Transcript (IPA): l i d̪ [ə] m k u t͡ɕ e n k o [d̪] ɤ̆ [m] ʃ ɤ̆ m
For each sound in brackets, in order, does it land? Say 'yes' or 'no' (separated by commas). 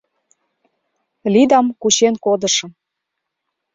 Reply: no, yes, no